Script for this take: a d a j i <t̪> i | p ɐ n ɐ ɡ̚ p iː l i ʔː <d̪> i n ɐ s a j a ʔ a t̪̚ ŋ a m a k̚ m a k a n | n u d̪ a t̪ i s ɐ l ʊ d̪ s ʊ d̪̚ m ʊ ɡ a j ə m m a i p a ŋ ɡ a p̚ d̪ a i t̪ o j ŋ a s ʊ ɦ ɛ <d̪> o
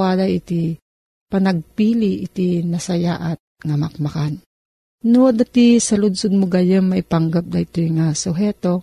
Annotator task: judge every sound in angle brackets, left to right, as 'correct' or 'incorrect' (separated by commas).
correct, incorrect, incorrect